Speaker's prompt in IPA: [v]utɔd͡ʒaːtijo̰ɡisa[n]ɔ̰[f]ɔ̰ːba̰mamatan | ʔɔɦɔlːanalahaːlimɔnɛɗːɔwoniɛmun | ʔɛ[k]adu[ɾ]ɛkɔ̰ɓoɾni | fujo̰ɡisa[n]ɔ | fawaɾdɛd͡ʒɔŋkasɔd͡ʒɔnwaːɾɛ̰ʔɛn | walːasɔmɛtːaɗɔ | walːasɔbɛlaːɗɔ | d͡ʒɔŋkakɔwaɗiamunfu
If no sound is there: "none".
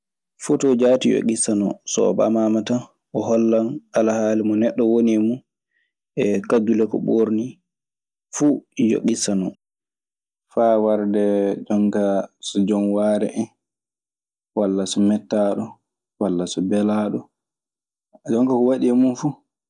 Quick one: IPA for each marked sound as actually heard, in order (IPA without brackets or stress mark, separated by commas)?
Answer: f, n, s, k, l, n